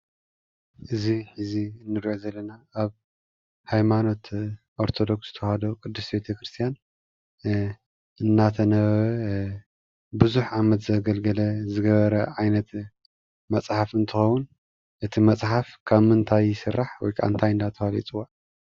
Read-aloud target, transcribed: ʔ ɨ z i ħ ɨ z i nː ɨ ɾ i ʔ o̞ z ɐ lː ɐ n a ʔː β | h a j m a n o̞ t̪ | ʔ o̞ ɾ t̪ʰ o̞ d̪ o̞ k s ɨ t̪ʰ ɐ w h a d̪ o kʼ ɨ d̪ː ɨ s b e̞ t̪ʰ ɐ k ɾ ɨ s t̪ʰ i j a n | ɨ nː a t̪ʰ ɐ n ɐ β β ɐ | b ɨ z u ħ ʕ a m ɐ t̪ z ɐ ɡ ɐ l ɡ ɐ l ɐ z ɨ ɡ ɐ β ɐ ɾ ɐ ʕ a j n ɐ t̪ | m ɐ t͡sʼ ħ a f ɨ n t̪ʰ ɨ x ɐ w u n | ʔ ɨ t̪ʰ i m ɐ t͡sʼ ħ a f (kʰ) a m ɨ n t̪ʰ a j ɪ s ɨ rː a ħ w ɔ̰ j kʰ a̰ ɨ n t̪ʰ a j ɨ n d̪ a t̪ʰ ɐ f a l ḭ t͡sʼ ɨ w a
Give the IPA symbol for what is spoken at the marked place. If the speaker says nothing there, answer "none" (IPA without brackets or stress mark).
kʰ